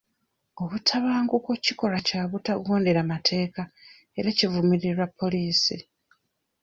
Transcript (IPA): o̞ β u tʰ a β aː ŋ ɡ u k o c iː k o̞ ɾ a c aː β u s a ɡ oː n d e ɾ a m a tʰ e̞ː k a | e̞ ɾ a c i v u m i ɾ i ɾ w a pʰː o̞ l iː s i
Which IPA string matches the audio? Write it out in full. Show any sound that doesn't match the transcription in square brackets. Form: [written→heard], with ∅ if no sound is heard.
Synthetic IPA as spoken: o̞ β u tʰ a β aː ŋ ɡ u k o c [iː→i] k o̞ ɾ a c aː β u [s→t] a ɡ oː n d e ɾ a m a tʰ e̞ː k a | e̞ ɾ a c i v u m i ɾ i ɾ w a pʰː o̞ l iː s i